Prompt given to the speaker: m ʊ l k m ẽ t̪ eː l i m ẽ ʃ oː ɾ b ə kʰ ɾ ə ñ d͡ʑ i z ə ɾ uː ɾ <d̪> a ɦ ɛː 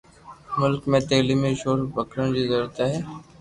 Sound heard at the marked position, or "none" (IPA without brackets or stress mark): t̪